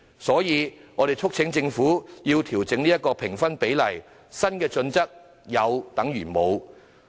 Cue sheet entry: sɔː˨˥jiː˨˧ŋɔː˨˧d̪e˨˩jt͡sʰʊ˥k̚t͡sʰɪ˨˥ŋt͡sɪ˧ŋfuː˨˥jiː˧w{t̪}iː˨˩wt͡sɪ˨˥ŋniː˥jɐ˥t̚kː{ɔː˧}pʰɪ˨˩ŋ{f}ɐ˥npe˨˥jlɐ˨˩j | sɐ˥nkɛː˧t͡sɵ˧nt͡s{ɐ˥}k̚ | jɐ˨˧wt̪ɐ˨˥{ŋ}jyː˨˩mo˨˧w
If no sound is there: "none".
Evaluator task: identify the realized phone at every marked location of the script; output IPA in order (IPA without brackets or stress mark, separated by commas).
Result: t̪ʰ, ɔː˧, f, ɐ˥, ŋ